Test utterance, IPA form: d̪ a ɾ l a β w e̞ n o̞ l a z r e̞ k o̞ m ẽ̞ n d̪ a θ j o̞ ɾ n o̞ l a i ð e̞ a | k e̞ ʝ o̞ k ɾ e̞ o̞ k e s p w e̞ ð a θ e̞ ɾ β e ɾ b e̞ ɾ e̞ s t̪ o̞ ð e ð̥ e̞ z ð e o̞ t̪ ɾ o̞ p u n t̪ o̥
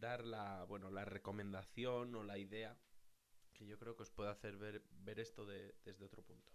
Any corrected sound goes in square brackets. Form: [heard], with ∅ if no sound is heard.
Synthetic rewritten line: d̪ a ɾ l a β w e̞ n o̞ l a [∅] r e̞ k o̞ m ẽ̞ n d̪ a θ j o̞ [∅] n o̞ l a i ð e̞ a | k e̞ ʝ o̞ k ɾ e̞ o̞ k e s p w e̞ ð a θ e̞ ɾ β e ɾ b e̞ ɾ e̞ s t̪ o̞ ð e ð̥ e̞ z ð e o̞ t̪ ɾ o̞ p u n t̪ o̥